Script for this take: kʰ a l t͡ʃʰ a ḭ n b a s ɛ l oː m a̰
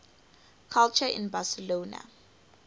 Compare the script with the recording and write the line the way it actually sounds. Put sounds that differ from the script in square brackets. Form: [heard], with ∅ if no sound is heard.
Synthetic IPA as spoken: kʰ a l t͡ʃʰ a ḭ n b a s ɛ l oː [n] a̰